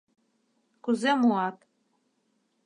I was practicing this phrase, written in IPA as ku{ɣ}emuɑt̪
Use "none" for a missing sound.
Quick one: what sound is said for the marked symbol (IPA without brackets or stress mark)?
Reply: z